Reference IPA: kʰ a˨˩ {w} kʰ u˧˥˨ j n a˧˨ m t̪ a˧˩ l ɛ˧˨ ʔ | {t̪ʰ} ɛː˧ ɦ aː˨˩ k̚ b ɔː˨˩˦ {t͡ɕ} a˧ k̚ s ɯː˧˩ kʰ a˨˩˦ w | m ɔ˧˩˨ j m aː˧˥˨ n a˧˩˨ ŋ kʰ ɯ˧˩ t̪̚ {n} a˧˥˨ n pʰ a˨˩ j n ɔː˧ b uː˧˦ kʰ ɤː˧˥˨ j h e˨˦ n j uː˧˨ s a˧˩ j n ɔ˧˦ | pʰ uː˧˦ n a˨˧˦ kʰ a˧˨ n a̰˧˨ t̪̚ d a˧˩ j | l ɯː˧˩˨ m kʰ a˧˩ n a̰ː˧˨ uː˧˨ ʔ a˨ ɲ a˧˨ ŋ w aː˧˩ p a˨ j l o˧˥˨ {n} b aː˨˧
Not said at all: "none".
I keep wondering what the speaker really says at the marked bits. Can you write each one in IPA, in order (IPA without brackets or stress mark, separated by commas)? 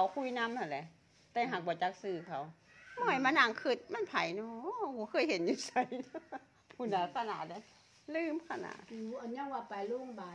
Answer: w, t̪, t͡ɕ, m, ŋ